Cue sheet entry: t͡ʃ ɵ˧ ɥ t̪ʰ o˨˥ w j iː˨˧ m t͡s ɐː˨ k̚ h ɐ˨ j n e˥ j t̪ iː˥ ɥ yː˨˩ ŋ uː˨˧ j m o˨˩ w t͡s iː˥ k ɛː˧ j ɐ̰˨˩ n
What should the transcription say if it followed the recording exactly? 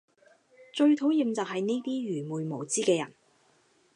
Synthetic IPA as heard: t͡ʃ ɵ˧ ɥ t̪ʰ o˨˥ w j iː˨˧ m t͡s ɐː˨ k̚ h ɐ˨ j n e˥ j t̪ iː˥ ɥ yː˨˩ m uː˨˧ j m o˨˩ w t͡s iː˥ k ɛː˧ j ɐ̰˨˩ n